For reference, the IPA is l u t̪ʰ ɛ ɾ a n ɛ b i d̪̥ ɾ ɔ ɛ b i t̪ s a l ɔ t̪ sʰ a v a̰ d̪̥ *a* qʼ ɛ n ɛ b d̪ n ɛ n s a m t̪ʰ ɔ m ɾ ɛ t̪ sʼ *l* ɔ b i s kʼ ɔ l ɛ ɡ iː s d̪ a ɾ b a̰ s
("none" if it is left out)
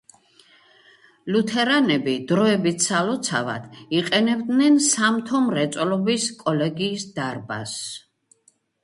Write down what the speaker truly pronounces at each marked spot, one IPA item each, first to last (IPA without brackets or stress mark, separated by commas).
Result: i, l